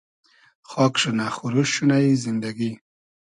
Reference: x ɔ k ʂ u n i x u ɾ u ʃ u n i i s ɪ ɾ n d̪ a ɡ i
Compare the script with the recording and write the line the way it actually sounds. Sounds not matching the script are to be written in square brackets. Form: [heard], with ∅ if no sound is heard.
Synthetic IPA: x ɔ k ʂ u n [a] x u ɾ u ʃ u n [a] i [z] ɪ [∅] n d̪ a ɡ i